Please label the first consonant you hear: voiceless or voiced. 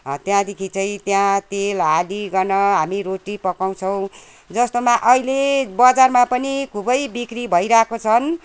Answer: voiceless